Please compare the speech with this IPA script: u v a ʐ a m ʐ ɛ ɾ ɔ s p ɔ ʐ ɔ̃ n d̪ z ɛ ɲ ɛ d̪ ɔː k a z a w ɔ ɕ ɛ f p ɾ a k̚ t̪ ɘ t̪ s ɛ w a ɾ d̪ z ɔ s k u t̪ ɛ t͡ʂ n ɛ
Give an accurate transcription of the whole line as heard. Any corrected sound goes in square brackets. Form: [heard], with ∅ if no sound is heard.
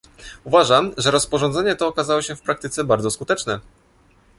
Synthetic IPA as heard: u v a ʐ a m ʐ ɛ ɾ ɔ s p ɔ ʐ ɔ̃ n d̪ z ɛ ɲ ɛ [t̪] ɔː k a z a w ɔ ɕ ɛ f p ɾ a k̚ t̪ ɘ t̪ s ɛ [b] a ɾ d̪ z ɔ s k u t̪ ɛ t͡ʂ n ɛ